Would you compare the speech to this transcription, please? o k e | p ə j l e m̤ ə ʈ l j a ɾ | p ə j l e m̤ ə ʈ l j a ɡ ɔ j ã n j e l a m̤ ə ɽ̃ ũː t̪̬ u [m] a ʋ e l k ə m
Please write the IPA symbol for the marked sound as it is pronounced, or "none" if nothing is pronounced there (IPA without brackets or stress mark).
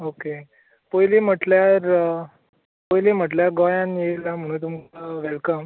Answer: m